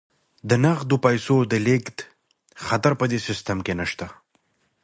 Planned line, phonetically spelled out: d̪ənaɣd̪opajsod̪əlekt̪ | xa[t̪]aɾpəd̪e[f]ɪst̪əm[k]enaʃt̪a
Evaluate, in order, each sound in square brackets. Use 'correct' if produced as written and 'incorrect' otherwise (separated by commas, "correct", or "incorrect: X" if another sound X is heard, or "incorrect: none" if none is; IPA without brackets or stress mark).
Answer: correct, incorrect: s, correct